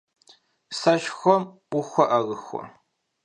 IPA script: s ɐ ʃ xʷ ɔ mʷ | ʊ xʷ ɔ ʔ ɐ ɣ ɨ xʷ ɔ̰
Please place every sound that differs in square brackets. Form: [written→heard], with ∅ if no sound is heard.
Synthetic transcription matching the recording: s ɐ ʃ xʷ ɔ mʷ | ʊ xʷ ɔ ʔ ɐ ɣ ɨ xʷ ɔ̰